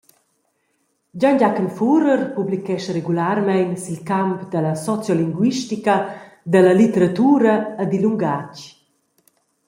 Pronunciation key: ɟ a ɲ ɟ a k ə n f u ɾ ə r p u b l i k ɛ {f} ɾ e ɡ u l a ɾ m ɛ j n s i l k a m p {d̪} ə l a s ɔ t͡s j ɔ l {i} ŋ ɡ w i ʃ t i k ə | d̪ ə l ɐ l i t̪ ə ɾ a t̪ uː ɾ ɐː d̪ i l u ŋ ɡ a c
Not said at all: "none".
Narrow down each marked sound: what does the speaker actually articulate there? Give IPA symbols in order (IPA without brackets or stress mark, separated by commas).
ʃ, d̪, i